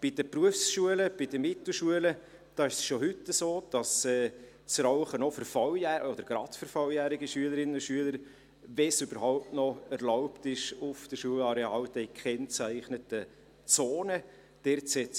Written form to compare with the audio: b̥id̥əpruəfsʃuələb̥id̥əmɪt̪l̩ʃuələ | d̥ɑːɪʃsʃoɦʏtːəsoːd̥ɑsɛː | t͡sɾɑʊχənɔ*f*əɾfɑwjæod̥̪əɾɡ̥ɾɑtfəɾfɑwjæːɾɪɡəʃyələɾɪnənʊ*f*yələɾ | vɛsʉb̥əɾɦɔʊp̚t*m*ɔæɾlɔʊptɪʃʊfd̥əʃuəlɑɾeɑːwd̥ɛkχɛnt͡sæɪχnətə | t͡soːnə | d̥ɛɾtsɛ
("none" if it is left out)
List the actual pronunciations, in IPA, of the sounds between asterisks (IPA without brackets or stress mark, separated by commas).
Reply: f, ʃ, n